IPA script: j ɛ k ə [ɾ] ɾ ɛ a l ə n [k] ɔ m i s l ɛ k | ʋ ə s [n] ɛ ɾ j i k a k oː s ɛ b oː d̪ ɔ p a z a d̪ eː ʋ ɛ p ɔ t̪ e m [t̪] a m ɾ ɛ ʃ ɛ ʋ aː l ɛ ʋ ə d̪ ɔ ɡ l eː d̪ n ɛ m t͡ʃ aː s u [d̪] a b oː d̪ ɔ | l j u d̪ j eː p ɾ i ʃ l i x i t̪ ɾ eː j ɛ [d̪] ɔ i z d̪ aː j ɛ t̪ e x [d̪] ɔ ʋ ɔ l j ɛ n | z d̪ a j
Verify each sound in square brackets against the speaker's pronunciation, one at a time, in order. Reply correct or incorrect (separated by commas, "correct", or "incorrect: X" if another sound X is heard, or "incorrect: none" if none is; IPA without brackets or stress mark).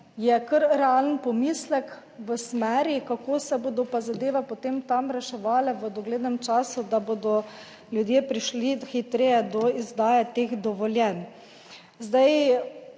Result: correct, incorrect: p, incorrect: m, correct, correct, correct, correct